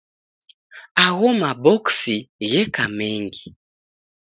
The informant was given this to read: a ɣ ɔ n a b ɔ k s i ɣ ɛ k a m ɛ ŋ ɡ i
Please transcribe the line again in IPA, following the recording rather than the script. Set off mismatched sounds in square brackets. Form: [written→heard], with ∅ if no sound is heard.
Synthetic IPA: a ɣ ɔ [n→m] a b ɔ k s i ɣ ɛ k a m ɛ ŋ ɡ i